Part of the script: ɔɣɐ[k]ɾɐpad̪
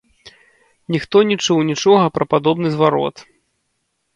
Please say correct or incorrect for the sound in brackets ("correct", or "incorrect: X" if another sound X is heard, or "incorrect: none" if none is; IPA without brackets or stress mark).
incorrect: p